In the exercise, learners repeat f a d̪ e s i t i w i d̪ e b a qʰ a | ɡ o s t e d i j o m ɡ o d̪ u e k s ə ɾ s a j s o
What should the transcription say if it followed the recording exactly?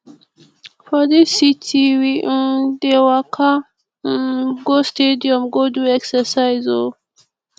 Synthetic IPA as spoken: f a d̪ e s i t i w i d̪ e w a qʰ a | ɡ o s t e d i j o m ɡ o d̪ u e k s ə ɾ s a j z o